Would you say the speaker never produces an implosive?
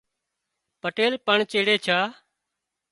yes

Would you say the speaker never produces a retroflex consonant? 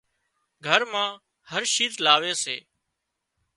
yes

